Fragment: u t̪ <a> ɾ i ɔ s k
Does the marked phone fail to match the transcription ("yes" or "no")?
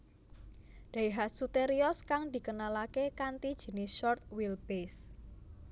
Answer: yes